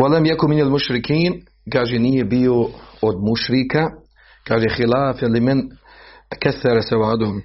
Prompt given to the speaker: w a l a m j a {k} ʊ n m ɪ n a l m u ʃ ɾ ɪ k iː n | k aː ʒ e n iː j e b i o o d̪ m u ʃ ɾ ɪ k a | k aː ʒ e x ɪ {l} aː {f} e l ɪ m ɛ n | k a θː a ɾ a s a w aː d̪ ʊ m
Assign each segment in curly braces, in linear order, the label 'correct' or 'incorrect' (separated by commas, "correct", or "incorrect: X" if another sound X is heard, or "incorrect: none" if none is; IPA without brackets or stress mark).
correct, correct, correct